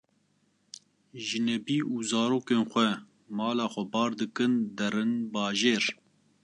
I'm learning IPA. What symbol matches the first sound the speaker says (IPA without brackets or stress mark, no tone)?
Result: ʒ